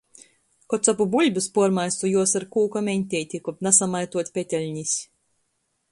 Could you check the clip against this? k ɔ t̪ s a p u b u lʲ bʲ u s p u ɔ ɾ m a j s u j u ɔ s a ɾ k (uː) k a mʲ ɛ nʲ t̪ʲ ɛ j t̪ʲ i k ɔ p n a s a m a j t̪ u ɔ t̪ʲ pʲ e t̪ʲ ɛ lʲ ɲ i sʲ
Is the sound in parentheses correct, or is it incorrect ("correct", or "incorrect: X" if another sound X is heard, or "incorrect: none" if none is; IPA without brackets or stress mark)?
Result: correct